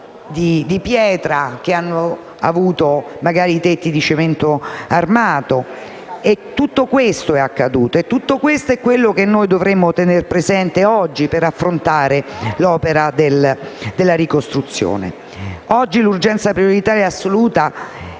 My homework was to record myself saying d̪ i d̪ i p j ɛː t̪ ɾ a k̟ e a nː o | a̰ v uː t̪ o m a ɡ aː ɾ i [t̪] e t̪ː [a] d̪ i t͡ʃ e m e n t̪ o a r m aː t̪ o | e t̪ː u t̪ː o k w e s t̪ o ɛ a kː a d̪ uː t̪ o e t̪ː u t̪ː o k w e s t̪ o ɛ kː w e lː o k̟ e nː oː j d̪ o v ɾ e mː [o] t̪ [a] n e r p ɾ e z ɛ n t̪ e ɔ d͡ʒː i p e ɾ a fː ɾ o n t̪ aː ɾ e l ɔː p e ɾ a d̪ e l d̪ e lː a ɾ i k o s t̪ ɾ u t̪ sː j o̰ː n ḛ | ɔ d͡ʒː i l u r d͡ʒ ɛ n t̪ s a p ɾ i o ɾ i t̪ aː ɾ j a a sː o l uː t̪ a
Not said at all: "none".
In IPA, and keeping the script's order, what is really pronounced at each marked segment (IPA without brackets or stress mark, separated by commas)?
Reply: t̪, i, o, e